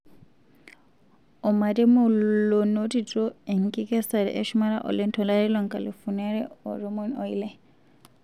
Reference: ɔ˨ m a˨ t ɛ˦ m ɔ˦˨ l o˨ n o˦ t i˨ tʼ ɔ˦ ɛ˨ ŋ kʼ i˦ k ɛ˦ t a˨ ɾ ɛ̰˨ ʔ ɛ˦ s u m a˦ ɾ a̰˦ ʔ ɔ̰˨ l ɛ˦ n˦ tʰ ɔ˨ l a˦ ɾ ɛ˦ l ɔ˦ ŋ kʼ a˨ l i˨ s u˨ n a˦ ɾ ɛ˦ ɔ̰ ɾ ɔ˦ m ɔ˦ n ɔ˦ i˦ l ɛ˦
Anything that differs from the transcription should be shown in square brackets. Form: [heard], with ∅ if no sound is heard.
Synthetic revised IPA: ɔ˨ m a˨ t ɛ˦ m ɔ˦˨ l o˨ n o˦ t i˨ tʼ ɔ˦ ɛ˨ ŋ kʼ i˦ k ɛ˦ [s] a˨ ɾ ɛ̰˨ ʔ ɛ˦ [ʃ] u m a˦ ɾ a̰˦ ʔ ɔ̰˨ l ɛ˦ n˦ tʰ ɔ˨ l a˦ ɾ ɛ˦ l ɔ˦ ŋ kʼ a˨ l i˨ [f] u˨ n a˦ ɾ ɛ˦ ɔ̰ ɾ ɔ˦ m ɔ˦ n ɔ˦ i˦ l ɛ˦

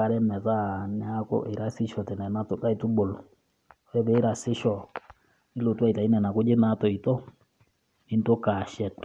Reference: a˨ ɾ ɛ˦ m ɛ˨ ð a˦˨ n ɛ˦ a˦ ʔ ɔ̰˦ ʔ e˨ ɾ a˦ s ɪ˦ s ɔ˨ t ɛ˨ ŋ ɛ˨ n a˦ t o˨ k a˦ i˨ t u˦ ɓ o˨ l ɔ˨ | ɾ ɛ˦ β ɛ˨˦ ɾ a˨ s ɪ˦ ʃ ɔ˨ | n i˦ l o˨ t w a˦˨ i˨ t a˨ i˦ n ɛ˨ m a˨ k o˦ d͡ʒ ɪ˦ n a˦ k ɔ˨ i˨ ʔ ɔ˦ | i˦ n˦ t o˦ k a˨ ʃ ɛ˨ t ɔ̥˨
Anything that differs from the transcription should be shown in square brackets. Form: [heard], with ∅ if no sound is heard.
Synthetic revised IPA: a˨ ɾ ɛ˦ m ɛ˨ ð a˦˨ n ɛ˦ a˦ [k] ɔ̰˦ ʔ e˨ ɾ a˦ s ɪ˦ [ʃ] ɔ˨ t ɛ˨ [n] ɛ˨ n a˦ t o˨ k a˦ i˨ t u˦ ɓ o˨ l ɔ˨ | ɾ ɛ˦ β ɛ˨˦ ɾ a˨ s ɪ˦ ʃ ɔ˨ | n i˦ l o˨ t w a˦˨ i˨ t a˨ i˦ n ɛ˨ [n] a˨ k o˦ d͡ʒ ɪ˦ n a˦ [t] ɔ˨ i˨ [t] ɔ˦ | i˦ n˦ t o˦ k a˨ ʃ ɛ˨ t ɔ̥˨

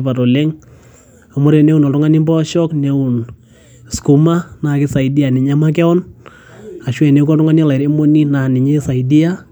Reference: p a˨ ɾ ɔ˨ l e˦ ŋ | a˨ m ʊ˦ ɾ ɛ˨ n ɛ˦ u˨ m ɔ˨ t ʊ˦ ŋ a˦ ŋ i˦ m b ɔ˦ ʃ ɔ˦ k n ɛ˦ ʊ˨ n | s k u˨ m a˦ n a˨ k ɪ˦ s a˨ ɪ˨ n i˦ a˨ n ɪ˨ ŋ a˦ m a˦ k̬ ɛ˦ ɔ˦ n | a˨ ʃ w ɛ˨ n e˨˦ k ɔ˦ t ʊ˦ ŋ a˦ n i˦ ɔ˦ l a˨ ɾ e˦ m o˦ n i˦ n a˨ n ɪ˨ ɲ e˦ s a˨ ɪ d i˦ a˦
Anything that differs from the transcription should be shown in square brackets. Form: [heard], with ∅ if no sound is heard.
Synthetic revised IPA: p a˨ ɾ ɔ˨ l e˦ ŋ | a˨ m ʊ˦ ɾ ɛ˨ n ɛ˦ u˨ [n] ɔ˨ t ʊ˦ ŋ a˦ [n] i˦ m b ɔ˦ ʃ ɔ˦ k n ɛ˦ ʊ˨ n | s k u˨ m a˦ n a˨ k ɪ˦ s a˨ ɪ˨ [d] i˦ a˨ n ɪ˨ [ɲ] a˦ m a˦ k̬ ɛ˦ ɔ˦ n | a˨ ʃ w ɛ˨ n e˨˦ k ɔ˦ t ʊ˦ ŋ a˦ n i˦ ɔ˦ l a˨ ɾ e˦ m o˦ n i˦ n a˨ n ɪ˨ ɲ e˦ s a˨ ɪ d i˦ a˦

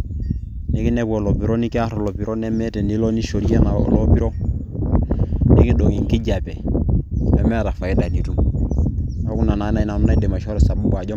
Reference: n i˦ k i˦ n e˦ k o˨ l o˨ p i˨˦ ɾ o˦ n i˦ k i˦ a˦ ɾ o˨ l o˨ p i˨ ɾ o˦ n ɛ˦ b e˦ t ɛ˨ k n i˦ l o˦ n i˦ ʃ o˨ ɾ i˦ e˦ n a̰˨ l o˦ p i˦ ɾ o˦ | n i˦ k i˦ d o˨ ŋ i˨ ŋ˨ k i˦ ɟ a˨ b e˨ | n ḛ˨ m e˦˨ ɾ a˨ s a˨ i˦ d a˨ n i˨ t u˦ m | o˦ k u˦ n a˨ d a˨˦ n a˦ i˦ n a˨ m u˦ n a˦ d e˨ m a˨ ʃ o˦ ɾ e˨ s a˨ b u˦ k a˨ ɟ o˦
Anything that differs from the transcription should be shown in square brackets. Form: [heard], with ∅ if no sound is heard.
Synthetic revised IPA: n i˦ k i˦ n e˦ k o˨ l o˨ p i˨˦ ɾ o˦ n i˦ k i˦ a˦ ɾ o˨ l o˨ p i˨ ɾ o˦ n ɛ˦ [m] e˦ t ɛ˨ [∅] n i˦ l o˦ n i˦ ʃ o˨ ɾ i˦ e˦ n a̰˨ l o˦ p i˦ ɾ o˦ | n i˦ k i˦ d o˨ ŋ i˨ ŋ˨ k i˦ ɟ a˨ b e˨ | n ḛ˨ m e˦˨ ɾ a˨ [f] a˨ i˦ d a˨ n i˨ t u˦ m | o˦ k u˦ n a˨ [n] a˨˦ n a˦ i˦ n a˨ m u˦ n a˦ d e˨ m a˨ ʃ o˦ ɾ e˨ s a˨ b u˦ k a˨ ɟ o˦

